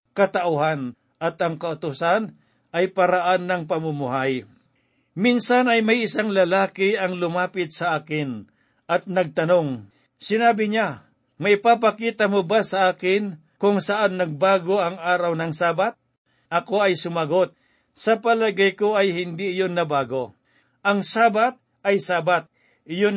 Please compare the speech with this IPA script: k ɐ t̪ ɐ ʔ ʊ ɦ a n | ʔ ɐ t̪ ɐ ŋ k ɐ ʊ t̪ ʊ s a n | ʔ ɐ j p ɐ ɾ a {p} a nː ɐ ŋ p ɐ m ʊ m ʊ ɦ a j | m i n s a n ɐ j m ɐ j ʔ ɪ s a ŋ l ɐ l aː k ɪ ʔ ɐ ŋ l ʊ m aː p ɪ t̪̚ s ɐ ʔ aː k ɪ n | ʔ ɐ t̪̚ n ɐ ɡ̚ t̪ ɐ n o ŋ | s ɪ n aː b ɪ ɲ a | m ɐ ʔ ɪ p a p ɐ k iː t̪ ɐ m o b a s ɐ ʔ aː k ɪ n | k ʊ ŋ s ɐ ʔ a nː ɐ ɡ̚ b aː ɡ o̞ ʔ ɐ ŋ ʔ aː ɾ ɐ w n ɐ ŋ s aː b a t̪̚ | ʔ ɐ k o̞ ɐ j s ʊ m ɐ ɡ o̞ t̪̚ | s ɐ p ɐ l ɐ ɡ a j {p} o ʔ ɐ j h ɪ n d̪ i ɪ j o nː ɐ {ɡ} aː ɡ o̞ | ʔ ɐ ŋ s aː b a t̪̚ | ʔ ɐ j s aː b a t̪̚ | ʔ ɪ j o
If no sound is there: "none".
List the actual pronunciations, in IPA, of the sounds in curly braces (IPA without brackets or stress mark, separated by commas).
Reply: ʔ, k, b